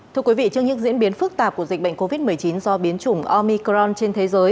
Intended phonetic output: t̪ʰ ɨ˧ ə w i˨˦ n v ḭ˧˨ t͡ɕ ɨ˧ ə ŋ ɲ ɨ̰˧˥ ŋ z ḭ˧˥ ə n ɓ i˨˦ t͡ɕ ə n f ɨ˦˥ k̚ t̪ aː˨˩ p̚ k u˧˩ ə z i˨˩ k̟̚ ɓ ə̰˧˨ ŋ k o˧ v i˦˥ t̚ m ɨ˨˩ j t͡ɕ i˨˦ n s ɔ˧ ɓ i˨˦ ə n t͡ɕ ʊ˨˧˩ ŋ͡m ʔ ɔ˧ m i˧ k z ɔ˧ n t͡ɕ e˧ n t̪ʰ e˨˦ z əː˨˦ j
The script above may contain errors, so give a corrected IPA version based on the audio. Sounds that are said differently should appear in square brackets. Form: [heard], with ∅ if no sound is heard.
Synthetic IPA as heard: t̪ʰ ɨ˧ ə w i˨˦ [∅] v ḭ˧˨ t͡ɕ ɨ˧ ə ŋ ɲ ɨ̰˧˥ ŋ z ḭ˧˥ ə n ɓ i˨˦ [∅] ə n f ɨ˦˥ k̚ t̪ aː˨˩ p̚ k u˧˩ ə z i˨˩ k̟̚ ɓ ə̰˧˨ ŋ k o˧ v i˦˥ t̚ m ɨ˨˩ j t͡ɕ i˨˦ n [z] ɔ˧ ɓ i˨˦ ə n t͡ɕ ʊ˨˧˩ ŋ͡m ʔ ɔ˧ m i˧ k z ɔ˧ n t͡ɕ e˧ n t̪ʰ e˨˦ z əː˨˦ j

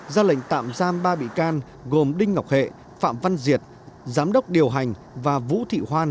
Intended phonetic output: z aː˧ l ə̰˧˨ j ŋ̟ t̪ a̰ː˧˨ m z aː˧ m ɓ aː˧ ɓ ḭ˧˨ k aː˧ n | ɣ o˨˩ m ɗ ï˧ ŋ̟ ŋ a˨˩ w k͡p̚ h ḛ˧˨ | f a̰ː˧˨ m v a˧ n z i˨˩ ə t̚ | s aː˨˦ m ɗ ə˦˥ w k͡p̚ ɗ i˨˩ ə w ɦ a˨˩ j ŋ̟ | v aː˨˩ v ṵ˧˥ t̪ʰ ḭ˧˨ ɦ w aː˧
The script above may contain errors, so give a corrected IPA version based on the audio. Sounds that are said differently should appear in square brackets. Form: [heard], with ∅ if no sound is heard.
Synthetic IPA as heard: z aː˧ l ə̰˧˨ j ŋ̟ t̪ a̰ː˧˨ m z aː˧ m ɓ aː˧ ɓ ḭ˧˨ k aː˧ n | ɣ o˨˩ m ɗ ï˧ ŋ̟ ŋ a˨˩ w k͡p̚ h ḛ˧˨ | f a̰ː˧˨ m v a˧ n z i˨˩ ə t̚ | [z] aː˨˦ m ɗ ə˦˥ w k͡p̚ ɗ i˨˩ ə w ɦ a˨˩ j ŋ̟ | v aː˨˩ v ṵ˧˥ t̪ʰ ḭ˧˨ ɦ w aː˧

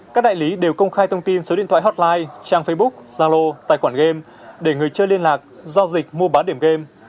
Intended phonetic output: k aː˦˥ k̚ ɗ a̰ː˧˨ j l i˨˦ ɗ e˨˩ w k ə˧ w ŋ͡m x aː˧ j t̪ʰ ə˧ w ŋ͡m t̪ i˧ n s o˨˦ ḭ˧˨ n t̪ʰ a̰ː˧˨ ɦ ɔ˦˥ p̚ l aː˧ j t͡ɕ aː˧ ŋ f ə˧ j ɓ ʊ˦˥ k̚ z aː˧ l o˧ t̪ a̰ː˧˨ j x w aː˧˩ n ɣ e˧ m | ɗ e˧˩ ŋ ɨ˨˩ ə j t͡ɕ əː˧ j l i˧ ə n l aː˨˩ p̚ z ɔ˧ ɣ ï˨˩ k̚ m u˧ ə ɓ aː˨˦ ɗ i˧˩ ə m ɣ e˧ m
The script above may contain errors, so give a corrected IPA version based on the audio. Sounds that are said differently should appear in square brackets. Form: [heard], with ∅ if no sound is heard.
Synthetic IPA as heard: k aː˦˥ k̚ ɗ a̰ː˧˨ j l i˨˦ ɗ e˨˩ w k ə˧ w ŋ͡m x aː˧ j t̪ʰ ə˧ w ŋ͡m t̪ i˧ n s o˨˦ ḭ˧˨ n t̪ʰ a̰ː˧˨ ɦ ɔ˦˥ [t̚] l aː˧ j t͡ɕ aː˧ ŋ f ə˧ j ɓ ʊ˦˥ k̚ z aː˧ l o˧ t̪ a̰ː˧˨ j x w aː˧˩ n ɣ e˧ m | ɗ e˧˩ ŋ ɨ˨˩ ə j t͡ɕ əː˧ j l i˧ ə n l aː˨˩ [k̚] z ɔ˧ [z] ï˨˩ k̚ m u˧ ə ɓ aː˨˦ ɗ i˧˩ ə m ɣ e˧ m

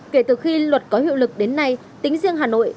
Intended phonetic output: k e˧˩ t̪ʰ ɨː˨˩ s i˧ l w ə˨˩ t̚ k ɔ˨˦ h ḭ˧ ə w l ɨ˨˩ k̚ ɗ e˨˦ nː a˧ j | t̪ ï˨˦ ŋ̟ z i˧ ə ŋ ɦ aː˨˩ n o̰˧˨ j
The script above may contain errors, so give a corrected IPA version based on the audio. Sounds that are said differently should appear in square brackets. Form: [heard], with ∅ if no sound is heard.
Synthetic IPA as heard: k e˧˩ [t̪] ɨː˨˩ [x] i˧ l w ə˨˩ t̚ k ɔ˨˦ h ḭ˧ ə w l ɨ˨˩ k̚ ɗ e˨˦ nː a˧ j | t̪ ï˨˦ ŋ̟ z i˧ ə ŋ ɦ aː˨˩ n o̰˧˨ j

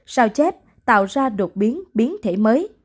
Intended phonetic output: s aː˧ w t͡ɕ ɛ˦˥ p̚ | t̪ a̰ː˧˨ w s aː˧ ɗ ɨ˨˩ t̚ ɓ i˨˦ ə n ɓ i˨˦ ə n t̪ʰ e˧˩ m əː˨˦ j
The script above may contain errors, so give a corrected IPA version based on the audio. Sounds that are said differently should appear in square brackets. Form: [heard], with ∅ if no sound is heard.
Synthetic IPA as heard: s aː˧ w t͡ɕ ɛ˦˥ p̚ | t̪ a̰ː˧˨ w [z] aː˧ ɗ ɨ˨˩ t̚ ɓ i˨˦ ə n ɓ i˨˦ ə n t̪ʰ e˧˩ m əː˨˦ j

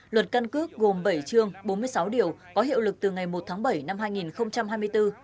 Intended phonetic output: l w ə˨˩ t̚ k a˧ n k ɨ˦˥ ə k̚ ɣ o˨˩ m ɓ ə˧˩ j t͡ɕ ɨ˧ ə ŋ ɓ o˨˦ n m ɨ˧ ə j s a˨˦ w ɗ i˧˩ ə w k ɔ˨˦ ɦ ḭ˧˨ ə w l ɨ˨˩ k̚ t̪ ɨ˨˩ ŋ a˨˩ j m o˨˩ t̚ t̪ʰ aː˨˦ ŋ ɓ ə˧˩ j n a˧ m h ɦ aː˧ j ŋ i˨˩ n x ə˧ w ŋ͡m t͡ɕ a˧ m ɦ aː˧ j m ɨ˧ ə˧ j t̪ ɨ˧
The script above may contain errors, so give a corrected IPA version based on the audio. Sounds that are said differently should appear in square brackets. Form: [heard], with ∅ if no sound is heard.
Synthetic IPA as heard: l w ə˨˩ t̚ k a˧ n k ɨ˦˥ ə k̚ ɣ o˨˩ m ɓ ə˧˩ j t͡ɕ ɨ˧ ə ŋ ɓ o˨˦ n m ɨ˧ ə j s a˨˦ w ɗ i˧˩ ə w k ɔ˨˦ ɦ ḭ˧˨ ə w l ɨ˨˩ k̚ t̪ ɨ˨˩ ŋ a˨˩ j m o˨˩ t̚ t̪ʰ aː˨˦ ŋ ɓ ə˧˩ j n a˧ m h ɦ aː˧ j ŋ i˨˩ n x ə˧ w ŋ͡m t͡ɕ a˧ m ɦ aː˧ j m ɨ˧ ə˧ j t̪ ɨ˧

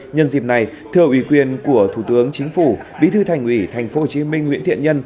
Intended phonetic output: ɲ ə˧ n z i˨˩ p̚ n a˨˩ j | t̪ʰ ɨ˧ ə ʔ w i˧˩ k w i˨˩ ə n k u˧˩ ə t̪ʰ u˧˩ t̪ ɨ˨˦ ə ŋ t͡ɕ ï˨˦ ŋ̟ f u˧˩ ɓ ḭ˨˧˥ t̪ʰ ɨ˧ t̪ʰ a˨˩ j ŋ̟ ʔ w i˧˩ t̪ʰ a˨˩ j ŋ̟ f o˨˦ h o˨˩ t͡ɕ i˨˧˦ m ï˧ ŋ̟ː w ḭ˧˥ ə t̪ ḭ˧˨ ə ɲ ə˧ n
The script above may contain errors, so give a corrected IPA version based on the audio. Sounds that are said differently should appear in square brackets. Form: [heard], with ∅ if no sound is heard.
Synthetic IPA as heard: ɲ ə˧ n z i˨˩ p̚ n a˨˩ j | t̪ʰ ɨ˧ ə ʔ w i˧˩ k w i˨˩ ə n k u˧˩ ə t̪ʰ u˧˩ t̪ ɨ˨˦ ə ŋ t͡ɕ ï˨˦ ŋ̟ f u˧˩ ɓ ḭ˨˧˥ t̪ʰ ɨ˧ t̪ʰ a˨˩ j ŋ̟ ʔ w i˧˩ t̪ʰ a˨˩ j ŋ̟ f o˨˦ h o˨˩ t͡ɕ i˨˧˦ m ï˧ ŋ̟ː w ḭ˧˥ ə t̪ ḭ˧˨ ə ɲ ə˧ n

